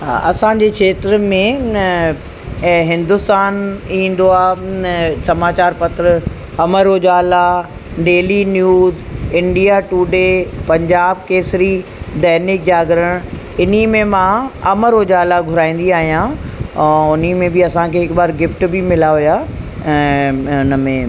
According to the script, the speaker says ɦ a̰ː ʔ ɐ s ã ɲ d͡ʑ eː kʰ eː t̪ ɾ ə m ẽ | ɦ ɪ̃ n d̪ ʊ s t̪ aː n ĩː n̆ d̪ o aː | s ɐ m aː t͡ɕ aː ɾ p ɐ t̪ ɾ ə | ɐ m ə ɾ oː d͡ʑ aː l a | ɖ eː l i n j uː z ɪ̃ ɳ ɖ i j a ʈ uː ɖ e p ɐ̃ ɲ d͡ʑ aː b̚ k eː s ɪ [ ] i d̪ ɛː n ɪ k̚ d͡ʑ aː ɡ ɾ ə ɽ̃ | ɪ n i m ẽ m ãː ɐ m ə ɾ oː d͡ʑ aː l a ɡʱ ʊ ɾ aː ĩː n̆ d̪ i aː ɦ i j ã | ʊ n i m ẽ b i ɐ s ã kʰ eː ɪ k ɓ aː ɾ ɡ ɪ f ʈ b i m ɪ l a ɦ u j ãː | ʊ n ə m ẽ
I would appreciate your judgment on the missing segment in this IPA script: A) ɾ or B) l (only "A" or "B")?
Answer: A